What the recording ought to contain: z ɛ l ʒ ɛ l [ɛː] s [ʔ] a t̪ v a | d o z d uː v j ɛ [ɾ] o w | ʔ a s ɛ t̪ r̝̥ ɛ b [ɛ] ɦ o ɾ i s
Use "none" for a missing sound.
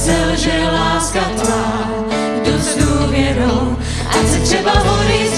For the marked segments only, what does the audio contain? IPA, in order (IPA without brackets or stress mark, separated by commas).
aː, k, ɾ, a